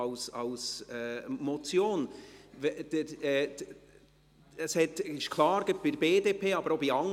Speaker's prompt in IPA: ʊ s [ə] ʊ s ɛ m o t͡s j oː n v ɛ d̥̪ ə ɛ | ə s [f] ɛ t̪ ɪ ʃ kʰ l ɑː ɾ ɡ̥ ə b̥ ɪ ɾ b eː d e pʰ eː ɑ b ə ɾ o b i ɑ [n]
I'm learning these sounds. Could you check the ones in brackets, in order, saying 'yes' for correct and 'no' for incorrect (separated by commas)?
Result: no, no, no